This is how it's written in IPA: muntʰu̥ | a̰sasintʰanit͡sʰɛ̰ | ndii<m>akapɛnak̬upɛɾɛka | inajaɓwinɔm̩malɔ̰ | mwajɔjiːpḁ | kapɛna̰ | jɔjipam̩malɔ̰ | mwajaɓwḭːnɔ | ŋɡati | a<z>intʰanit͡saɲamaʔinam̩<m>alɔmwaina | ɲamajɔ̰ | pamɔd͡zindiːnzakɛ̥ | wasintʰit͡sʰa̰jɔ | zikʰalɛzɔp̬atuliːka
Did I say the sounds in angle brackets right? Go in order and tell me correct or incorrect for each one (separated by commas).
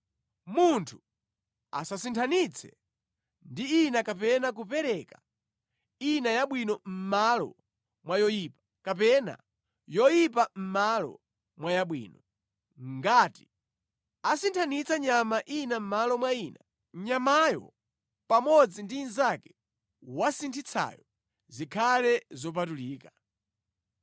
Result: incorrect, incorrect, correct